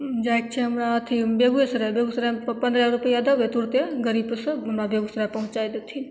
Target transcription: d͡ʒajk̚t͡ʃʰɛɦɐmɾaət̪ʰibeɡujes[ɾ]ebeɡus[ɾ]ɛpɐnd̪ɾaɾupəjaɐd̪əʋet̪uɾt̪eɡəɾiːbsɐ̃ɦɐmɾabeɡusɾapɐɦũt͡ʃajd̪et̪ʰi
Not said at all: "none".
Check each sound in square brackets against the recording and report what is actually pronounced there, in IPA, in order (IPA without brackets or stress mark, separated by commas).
ɾ, ɾ